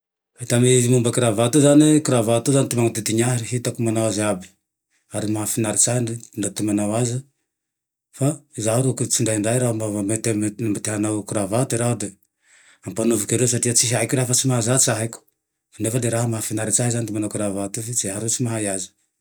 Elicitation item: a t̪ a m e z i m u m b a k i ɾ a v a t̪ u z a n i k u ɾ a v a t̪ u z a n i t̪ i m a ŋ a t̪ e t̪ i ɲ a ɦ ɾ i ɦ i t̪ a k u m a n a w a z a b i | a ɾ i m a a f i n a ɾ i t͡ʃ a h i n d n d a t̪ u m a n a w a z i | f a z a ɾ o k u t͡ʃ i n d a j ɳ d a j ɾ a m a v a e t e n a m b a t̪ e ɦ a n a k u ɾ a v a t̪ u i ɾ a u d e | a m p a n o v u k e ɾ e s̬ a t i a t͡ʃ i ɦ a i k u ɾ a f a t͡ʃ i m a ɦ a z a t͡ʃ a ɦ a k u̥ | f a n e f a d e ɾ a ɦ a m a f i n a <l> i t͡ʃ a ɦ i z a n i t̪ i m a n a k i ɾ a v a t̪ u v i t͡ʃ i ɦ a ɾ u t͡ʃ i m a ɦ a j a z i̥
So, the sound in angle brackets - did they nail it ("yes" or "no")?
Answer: no